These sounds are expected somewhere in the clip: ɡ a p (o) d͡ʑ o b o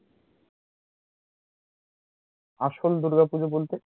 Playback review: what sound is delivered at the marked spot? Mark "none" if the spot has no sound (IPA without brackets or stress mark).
u